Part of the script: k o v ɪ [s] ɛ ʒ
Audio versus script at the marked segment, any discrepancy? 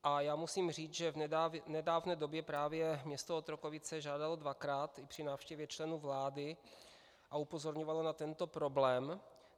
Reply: yes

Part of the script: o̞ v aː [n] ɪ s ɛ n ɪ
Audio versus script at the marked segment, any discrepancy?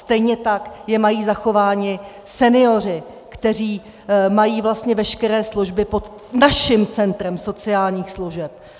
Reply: yes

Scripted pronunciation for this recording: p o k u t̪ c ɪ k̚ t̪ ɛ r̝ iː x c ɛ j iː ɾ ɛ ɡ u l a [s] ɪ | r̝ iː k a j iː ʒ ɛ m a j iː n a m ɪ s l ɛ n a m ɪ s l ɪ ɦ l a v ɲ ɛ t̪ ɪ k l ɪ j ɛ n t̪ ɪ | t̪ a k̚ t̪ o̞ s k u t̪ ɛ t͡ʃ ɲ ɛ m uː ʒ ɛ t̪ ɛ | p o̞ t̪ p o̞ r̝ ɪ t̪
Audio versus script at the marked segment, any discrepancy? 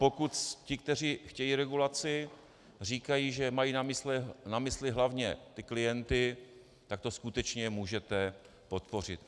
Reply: yes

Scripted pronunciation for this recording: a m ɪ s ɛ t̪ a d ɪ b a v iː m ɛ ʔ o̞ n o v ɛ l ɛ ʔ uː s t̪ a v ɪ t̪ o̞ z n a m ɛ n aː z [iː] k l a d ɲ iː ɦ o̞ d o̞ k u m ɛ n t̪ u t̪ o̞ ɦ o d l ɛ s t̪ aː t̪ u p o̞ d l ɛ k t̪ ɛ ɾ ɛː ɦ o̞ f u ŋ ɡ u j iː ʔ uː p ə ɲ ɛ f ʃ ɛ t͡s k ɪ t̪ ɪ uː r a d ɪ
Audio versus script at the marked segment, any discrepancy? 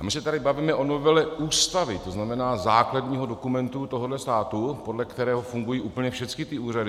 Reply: yes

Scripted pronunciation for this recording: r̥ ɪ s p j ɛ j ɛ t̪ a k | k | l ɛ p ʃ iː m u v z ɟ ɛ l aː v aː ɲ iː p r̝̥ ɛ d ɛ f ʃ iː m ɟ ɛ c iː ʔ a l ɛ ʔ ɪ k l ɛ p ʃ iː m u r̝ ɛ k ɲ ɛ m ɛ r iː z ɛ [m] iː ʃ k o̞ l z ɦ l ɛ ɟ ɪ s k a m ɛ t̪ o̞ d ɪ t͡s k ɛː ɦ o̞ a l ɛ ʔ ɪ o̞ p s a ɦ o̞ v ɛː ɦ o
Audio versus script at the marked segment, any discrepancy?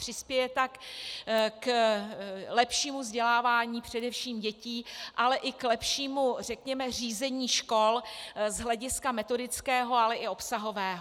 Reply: yes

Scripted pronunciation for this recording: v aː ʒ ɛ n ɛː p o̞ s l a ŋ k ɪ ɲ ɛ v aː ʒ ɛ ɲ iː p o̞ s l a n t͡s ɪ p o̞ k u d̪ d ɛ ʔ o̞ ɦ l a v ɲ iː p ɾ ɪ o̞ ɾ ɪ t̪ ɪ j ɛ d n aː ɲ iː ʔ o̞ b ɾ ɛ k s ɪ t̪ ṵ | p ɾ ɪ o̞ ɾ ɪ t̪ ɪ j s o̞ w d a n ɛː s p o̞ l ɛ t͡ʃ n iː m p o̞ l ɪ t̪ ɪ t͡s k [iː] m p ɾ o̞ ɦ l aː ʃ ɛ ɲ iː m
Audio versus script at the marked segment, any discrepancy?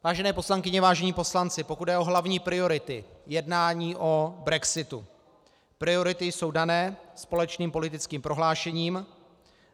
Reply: no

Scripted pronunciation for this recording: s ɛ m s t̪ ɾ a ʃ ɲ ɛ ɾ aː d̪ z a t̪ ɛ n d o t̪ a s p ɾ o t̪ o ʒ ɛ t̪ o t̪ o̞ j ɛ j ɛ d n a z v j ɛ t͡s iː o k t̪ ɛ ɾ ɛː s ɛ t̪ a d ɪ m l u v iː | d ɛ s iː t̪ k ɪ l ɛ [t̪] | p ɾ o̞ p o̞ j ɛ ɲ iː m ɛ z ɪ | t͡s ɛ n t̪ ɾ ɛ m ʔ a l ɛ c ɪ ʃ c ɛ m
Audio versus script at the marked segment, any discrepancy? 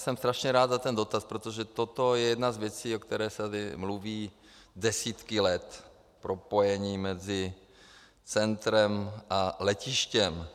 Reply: no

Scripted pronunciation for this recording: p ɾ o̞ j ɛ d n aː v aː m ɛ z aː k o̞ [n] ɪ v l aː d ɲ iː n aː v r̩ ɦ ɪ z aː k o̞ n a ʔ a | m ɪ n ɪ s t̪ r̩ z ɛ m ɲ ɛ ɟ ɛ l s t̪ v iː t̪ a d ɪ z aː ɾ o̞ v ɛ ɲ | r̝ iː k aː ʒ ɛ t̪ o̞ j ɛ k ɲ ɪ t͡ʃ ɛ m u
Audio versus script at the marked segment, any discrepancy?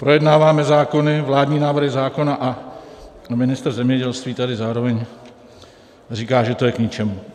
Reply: no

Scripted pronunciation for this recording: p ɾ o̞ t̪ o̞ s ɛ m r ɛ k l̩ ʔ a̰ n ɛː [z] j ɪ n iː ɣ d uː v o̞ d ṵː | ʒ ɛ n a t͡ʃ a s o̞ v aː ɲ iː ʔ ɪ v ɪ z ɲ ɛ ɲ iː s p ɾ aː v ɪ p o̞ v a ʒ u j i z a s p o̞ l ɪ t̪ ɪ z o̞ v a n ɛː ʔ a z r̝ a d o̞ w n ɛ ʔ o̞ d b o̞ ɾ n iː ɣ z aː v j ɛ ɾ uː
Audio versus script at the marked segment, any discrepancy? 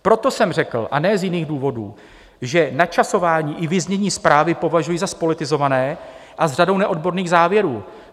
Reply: no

